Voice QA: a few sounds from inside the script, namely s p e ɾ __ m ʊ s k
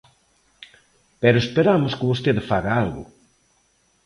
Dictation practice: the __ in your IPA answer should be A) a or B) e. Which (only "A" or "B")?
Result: A